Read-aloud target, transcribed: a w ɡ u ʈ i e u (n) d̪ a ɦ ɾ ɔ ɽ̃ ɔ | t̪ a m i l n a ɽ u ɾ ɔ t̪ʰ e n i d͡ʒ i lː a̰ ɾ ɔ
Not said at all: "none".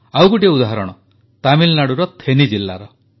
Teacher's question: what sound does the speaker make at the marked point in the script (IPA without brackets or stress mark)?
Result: none